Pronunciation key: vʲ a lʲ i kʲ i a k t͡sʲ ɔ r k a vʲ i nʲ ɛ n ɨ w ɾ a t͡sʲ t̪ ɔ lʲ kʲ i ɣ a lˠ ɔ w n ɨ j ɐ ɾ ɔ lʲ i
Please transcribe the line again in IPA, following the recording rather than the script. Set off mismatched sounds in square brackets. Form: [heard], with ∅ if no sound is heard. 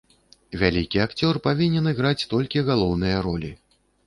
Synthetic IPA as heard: vʲ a lʲ i kʲ i a k t͡sʲ ɔ r [p] a vʲ i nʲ ɛ n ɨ [ɣ] ɾ a t͡sʲ t̪ ɔ lʲ kʲ i ɣ a lˠ ɔ w n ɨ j ɐ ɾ ɔ lʲ i